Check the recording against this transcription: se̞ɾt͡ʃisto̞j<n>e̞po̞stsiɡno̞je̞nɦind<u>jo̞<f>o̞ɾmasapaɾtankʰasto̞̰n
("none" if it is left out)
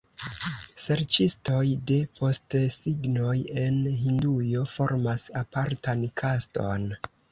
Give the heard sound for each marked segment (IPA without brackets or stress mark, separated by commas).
d, u, f